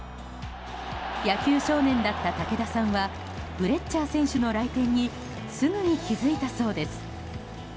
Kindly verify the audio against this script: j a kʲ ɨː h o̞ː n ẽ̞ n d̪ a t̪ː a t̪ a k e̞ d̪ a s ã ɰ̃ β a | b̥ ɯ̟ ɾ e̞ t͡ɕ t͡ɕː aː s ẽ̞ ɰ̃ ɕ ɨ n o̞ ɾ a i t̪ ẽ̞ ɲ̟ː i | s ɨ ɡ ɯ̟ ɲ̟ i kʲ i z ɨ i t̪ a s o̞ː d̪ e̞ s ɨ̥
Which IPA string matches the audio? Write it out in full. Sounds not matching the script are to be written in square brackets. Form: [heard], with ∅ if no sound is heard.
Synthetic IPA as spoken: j a kʲ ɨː [ɕ] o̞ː n ẽ̞ n d̪ a t̪ː a t̪ a k e̞ d̪ a s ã ɰ̃ β a | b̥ ɯ̟ ɾ e̞ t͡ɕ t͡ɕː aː s ẽ̞ ɰ̃ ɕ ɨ n o̞ ɾ a i t̪ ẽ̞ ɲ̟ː i | s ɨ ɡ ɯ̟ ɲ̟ i kʲ i z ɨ i t̪ a s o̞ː d̪ e̞ s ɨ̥